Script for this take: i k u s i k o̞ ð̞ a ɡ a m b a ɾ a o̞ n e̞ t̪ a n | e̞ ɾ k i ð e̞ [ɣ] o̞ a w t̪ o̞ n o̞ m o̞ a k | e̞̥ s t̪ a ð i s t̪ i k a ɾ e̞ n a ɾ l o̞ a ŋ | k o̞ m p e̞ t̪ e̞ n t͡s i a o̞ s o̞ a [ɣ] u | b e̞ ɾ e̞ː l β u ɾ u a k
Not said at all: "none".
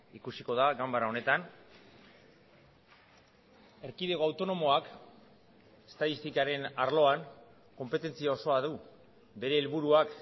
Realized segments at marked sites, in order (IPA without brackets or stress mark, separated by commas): ɣ, ð